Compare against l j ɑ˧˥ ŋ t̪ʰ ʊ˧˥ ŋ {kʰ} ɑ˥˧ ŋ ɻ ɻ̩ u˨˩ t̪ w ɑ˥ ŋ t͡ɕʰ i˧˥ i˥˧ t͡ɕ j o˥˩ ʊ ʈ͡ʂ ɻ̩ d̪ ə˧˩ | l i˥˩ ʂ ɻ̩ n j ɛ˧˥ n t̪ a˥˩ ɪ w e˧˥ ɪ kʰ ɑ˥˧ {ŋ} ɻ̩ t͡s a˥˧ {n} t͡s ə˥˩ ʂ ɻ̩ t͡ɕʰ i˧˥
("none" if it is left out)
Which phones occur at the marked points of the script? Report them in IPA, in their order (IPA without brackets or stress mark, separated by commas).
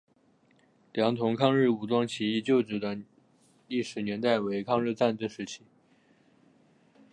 kʰ, ŋ, n